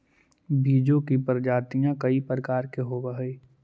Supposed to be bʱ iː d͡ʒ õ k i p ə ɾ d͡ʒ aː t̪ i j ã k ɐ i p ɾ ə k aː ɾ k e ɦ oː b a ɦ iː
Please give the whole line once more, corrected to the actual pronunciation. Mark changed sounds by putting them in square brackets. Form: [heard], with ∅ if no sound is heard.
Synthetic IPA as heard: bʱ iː d͡ʒ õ k i p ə ɾ d͡ʒ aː t̪ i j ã k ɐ i p ɾ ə k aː ɾ k e ɦ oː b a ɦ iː

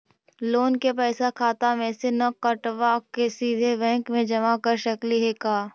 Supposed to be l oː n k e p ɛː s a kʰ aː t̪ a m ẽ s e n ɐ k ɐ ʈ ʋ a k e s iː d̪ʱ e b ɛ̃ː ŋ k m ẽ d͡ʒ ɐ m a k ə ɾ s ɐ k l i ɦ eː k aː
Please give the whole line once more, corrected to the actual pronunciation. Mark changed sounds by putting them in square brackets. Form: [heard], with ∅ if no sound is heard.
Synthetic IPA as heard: l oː n k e p ɛː s a kʰ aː t̪ a m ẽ s e n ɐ k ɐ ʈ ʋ a k e s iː d̪ʱ e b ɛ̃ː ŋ k m ẽ d͡ʒ ɐ m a k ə ɾ [ʃ] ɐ k l i ɦ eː k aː

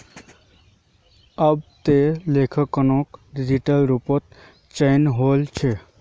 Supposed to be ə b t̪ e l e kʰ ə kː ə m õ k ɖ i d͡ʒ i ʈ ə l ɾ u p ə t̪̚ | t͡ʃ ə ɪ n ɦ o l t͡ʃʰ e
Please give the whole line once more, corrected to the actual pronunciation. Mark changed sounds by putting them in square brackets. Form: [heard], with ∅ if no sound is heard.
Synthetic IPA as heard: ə b t̪ e l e kʰ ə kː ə [n] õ k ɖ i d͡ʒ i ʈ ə l ɾ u p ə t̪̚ | t͡ʃ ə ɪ n ɦ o l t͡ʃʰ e

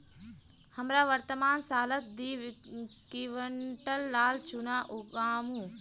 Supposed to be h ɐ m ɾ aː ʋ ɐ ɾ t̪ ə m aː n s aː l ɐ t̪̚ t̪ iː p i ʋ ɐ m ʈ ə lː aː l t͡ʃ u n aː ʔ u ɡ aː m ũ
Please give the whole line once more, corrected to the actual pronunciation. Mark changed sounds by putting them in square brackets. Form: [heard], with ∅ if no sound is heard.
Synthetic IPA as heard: h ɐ m ɾ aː ʋ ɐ ɾ t̪ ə m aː n s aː l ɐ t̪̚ [d̪] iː [k] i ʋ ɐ [ɳ] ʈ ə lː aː l t͡ʃ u n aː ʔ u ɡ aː m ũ

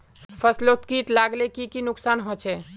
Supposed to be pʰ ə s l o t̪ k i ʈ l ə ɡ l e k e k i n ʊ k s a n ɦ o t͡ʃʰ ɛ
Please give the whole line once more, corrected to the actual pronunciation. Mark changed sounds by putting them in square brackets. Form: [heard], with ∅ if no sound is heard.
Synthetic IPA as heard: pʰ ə s l o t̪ k i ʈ l [a] ɡ l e k [i] k i n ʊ k s a n ɦ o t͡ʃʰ ɛ

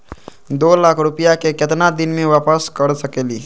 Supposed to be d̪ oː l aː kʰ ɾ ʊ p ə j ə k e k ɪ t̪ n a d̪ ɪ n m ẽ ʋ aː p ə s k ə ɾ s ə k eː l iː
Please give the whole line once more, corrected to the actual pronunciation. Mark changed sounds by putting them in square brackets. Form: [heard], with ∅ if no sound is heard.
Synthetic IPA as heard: d̪ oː l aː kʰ ɾ ʊ p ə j [a] k e k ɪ t̪ n a d̪ ɪ n m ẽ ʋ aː p ə s k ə ɾ s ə k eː l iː

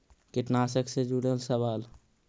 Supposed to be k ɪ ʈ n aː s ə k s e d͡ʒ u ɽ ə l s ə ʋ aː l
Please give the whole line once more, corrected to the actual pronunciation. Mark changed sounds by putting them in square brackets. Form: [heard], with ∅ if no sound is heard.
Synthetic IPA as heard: k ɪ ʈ n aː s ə k s e d͡ʒ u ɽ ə l s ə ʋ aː l

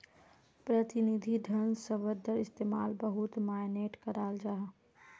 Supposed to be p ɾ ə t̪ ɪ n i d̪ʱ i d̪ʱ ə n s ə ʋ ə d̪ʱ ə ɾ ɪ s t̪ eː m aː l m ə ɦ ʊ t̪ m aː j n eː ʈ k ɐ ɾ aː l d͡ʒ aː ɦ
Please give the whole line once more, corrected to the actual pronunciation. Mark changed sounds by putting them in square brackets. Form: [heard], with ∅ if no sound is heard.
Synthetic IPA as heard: p ɾ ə t̪ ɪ n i d̪ʱ i d̪ʱ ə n s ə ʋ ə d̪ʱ ə ɾ ɪ s t̪ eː m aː l [b] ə ɦ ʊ t̪ m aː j n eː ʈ k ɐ ɾ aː l d͡ʒ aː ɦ

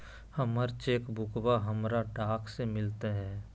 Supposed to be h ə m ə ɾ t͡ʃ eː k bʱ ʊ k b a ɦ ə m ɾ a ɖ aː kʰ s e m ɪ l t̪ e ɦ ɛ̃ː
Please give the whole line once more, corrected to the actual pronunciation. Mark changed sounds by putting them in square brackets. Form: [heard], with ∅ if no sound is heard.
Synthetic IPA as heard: h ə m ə ɾ t͡ʃ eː k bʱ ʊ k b a ɦ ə m ɾ a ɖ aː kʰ s e m ɪ l t̪ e ɦ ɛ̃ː

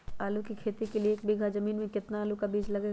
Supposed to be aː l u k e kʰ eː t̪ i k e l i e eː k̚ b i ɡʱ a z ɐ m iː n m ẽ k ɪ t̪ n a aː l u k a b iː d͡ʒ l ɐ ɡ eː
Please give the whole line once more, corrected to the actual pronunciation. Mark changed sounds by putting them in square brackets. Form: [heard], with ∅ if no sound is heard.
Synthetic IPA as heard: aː l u k [i] kʰ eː t̪ i k e l i e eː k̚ b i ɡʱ a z ɐ m iː n m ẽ k ɪ t̪ n a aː l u k a b iː d͡ʒ l ɐ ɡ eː

